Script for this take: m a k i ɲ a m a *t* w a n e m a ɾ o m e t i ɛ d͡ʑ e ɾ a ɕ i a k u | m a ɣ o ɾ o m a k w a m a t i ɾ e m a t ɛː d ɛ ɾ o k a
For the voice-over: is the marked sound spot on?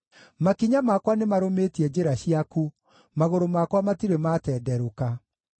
no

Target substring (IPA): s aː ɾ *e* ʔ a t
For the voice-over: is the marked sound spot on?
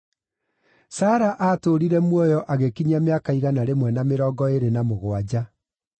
no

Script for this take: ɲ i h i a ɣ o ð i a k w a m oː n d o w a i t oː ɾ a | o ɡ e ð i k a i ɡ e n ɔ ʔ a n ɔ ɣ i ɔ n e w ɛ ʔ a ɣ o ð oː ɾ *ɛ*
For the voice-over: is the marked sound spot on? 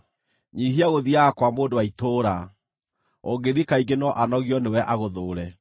yes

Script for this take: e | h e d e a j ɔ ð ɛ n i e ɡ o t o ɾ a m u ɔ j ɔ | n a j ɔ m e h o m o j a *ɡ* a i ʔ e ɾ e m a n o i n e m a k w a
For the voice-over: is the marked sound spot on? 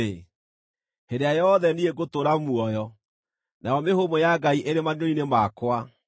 yes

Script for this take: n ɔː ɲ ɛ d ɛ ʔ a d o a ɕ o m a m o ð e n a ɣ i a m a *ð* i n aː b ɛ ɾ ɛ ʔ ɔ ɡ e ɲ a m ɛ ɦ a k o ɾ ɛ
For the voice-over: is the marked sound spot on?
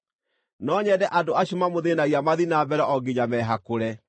yes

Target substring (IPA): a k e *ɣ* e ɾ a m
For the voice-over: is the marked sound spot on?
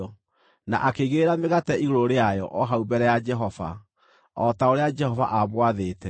yes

